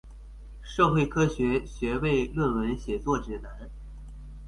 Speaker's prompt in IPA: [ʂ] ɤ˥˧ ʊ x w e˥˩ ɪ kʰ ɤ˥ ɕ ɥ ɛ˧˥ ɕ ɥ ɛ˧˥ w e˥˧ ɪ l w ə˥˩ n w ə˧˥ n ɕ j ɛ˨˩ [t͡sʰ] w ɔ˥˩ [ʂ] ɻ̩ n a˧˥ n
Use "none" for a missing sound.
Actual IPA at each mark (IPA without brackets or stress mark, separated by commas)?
ʂ, t͡s, ʈ͡ʂ